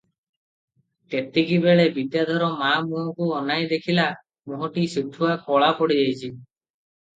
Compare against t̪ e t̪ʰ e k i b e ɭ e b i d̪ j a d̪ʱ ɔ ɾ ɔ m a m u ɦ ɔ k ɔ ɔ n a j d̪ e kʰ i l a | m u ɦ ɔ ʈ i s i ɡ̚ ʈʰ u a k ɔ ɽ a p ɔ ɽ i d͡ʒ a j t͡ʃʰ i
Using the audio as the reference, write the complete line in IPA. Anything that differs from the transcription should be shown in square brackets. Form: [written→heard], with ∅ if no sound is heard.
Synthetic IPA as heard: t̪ e [t̪ʰ→t̪] e k i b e ɭ e b i d̪ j a d̪ʱ ɔ ɾ ɔ m a m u ɦ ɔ k [ɔ→u] ɔ n a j d̪ e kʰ i l a | m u ɦ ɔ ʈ i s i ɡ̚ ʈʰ u a k ɔ [ɽ→ɭ] a p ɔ ɽ i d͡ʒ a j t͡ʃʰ i